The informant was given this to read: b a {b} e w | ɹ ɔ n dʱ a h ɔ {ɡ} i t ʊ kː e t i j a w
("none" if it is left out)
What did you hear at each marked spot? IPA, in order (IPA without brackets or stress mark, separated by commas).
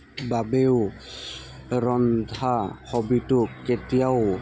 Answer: b, b